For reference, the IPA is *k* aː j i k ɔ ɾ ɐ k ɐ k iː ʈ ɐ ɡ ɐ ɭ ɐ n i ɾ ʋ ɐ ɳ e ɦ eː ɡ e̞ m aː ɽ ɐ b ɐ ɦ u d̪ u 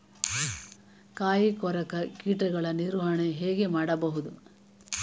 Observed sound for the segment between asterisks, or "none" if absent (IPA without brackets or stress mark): k